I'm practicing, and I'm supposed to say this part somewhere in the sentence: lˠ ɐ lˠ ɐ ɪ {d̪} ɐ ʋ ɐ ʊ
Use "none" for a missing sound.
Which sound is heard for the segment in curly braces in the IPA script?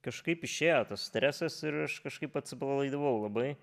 d̪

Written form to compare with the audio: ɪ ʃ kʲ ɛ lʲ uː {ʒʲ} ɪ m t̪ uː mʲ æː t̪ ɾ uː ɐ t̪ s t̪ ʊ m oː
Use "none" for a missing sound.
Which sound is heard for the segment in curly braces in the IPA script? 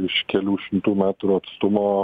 ʃʲ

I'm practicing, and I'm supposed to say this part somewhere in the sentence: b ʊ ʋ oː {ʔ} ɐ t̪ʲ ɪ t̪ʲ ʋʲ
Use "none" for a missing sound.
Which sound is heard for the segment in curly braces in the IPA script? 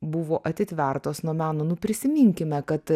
ʔ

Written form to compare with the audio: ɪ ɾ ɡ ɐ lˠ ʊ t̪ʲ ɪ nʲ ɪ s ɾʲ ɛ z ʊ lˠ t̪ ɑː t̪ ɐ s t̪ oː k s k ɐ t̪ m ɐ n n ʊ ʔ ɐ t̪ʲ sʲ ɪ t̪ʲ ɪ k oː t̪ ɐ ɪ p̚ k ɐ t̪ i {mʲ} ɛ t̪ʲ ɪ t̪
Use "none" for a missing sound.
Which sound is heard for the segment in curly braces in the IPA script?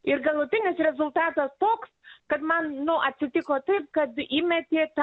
mʲ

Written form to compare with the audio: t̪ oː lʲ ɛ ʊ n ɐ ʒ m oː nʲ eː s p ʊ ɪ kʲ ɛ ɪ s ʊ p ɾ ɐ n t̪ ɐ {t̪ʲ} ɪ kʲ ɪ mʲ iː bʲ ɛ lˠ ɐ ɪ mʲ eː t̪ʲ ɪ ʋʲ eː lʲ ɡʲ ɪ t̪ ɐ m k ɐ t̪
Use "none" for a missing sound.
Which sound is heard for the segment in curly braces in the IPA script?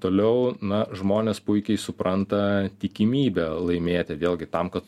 t̪ʲ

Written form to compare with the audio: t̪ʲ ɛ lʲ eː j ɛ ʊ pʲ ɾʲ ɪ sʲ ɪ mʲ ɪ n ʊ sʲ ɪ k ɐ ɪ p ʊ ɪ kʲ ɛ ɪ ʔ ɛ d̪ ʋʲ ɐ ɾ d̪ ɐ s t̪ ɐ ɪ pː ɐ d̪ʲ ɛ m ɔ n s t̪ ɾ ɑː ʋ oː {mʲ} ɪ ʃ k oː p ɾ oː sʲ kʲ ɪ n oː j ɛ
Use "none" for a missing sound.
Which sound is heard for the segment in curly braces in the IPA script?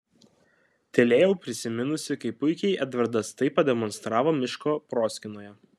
mʲ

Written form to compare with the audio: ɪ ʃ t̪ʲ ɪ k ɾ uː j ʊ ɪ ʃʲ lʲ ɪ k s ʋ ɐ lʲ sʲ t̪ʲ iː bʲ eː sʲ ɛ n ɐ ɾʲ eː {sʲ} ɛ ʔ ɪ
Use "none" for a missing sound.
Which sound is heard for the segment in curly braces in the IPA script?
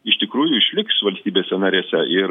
sʲ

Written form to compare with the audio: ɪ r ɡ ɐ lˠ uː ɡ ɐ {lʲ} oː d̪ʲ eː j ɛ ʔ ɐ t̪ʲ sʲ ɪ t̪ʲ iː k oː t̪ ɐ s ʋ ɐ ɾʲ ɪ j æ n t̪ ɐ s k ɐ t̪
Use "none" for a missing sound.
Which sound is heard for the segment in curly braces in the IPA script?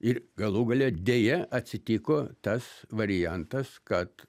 lʲ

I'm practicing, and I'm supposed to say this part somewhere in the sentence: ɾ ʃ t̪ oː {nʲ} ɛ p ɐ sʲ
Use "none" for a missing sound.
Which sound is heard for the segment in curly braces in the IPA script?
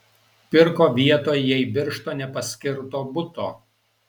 nʲ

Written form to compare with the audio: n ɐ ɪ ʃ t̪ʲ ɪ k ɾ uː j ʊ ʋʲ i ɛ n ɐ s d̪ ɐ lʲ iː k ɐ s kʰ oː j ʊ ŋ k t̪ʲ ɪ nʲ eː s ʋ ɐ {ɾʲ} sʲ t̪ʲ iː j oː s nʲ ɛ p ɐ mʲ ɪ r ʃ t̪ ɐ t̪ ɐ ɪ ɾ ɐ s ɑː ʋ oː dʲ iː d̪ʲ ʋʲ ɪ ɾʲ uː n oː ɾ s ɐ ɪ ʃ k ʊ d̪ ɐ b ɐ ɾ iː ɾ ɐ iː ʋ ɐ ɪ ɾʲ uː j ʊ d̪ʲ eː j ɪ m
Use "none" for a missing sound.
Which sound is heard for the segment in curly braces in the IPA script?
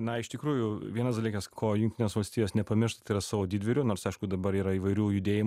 lʲ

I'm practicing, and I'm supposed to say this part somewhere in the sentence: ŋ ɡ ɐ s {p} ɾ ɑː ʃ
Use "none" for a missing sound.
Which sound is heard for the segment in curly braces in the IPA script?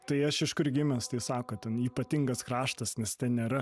k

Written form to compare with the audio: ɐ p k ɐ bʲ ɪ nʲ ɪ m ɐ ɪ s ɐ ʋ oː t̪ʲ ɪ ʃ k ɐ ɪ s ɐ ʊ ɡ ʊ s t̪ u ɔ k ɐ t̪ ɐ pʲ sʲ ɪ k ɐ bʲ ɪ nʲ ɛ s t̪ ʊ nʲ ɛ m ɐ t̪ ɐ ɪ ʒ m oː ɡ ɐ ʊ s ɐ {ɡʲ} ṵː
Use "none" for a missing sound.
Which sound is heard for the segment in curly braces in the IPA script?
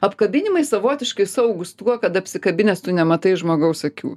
kʲ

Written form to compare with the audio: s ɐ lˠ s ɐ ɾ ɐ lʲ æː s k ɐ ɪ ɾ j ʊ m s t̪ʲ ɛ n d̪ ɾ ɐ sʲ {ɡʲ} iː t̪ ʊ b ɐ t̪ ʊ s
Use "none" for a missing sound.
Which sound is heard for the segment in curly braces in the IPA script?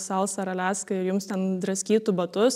kʲ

